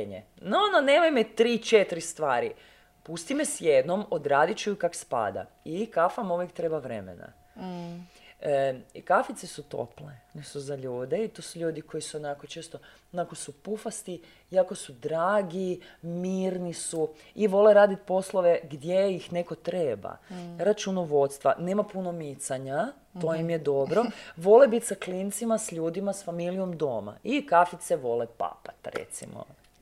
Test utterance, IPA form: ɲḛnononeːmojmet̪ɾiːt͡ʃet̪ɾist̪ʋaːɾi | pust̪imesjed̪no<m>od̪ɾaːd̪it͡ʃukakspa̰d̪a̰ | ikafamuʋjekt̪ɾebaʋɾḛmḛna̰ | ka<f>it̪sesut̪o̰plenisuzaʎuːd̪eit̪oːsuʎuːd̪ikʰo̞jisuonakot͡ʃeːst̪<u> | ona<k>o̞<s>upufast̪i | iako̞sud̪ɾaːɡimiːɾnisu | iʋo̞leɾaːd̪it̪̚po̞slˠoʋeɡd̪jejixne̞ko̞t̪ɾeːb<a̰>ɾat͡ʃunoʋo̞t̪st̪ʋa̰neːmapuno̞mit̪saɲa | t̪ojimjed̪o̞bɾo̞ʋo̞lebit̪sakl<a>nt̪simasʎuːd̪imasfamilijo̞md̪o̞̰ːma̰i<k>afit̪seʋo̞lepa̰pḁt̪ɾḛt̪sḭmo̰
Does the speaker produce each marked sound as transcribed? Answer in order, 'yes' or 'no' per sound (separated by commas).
yes, yes, no, yes, yes, yes, no, yes